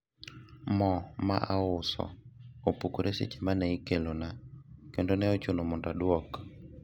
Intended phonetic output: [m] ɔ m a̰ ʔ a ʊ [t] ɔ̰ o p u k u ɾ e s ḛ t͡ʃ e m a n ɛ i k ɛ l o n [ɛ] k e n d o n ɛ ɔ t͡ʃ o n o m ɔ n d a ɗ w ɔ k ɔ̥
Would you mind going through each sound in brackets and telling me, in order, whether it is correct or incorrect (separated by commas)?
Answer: correct, incorrect, incorrect